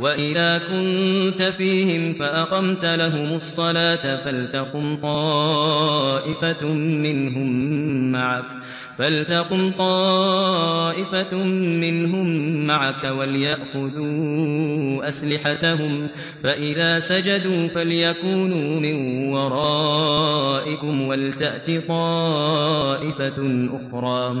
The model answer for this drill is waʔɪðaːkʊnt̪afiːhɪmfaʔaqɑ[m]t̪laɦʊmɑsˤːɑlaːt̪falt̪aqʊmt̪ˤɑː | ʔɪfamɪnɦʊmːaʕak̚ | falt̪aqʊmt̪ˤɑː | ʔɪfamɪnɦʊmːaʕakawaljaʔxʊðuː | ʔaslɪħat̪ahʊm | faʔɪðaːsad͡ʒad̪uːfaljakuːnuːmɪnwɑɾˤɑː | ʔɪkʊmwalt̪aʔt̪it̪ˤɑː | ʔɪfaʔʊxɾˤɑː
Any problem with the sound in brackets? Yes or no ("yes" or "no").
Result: no